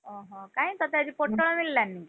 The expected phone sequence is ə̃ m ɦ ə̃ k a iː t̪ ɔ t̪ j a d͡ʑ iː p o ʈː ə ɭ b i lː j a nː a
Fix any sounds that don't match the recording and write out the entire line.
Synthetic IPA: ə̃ ɦ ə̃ k a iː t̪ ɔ t̪ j a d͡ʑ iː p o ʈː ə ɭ m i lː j a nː i